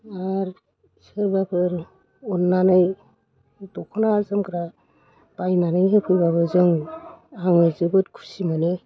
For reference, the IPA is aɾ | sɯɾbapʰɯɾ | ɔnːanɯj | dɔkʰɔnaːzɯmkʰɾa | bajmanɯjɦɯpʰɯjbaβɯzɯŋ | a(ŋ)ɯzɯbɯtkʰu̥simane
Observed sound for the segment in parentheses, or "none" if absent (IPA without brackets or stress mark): ŋ